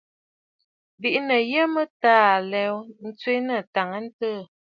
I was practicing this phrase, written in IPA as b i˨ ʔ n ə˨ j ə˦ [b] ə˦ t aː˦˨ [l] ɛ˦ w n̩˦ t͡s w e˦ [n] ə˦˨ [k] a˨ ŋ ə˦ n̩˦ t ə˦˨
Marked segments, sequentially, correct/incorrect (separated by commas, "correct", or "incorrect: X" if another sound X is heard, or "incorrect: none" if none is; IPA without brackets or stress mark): incorrect: m, correct, correct, incorrect: t